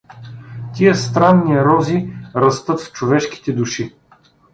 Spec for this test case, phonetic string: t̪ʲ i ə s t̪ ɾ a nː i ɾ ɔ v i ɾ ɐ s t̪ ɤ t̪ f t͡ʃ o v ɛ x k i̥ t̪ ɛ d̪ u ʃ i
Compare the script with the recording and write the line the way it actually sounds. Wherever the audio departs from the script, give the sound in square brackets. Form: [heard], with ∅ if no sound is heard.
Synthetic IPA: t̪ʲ i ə s t̪ ɾ a nː i ɾ ɔ [z] i ɾ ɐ s t̪ ɤ t̪ f t͡ʃ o v ɛ [ʃ] k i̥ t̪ ɛ d̪ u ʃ i